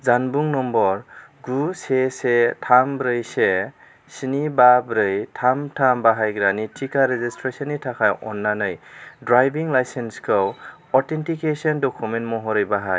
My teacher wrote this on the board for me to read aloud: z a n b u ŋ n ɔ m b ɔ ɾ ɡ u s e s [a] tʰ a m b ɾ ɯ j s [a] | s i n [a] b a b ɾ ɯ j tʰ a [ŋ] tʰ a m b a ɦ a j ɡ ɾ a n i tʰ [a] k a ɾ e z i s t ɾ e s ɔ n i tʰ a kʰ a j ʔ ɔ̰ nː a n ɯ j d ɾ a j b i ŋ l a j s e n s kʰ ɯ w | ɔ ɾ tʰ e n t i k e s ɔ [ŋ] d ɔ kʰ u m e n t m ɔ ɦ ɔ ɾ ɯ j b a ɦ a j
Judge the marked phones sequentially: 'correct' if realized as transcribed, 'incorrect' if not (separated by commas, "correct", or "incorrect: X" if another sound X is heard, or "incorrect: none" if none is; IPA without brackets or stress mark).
incorrect: e, incorrect: e, incorrect: i, incorrect: m, incorrect: i, incorrect: n